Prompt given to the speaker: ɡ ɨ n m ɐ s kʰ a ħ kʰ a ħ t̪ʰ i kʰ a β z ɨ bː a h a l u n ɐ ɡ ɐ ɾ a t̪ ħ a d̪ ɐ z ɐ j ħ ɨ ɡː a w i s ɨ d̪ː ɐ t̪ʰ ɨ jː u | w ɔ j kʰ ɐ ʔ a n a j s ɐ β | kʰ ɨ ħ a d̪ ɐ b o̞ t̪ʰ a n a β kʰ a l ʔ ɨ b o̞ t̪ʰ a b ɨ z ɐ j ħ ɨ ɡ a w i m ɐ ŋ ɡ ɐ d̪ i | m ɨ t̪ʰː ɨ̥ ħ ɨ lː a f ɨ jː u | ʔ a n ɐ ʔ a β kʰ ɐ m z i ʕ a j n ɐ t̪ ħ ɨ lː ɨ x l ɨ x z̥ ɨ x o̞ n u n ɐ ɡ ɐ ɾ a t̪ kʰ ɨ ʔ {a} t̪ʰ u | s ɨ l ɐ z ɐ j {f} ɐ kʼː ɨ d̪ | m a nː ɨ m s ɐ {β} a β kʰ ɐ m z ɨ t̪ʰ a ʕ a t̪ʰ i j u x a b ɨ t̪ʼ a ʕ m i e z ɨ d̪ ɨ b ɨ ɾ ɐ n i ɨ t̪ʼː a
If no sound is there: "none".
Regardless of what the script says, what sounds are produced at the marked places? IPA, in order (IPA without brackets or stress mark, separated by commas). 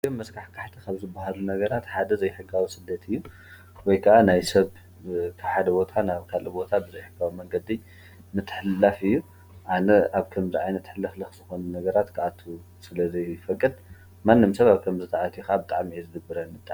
a, f, β